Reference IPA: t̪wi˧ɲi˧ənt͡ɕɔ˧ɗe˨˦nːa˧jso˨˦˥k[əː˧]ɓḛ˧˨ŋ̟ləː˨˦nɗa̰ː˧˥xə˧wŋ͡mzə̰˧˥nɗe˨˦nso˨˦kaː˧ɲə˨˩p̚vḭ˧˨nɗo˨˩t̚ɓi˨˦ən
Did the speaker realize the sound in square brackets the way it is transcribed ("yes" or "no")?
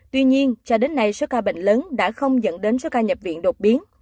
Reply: no